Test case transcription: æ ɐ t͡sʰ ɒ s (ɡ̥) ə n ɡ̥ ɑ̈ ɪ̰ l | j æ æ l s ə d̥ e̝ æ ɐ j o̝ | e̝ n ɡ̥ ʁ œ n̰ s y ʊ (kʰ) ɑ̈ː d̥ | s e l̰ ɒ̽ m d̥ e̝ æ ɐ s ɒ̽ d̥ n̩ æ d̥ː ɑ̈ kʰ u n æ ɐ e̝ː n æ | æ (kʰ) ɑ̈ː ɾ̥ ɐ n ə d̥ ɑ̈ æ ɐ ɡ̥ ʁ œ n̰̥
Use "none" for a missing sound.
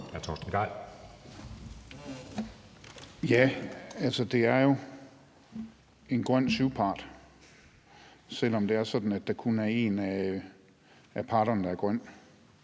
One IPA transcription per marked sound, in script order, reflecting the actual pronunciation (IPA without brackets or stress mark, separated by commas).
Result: d̥, pʰ, pʰ